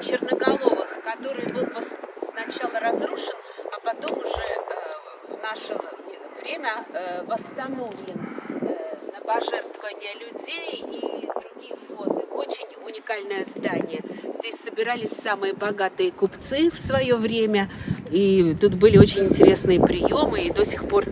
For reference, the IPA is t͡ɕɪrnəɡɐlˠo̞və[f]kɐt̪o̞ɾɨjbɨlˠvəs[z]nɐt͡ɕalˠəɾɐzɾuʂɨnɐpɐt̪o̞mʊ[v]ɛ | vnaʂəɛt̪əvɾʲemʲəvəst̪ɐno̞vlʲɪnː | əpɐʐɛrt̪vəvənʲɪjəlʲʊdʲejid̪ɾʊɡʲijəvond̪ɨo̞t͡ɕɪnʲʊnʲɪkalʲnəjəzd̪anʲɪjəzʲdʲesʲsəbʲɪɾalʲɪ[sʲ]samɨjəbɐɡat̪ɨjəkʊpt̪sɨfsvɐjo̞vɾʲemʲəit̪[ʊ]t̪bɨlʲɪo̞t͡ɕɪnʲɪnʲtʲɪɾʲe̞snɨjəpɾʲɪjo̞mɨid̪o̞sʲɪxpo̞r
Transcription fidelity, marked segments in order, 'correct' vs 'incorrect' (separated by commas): incorrect, incorrect, incorrect, correct, incorrect